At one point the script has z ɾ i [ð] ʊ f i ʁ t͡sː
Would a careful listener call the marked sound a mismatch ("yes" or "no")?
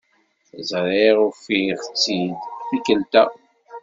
yes